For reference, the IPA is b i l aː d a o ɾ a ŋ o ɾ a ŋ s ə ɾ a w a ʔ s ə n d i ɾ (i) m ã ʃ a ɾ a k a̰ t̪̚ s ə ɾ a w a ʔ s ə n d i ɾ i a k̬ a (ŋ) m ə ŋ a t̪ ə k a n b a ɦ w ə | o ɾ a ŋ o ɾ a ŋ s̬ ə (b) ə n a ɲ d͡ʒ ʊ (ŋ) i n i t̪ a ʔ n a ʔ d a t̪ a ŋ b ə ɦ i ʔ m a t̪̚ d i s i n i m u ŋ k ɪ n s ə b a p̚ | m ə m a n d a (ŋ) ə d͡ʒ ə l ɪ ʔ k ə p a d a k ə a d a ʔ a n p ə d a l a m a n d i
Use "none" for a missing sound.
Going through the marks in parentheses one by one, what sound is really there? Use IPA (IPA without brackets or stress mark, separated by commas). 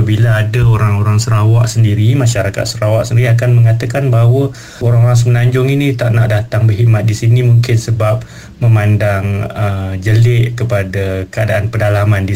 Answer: i, n, m, ŋ, ŋ